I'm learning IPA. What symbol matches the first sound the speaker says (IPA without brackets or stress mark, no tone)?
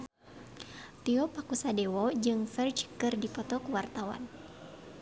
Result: t̪